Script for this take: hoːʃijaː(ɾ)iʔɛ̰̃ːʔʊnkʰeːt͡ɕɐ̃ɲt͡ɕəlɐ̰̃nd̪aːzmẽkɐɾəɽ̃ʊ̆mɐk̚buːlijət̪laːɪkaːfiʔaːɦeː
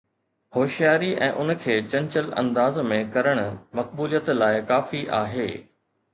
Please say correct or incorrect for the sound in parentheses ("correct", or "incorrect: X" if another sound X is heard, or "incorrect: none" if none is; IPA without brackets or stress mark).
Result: correct